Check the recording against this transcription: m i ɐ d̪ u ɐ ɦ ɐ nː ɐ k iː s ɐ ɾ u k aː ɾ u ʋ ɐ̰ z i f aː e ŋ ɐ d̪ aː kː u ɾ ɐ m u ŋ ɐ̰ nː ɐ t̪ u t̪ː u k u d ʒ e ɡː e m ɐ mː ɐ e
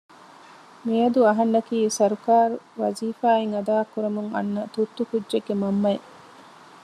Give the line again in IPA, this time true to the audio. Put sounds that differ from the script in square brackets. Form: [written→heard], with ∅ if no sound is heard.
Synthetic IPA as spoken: m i ɐ d̪ u ɐ ɦ ɐ nː ɐ k iː s ɐ ɾ u k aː ɾ u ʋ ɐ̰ z [i→iː] f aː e ŋ ɐ d̪ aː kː u ɾ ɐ m u ŋ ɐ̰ nː ɐ t̪ u t̪ː u k u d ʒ e ɡː e m ɐ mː ɐ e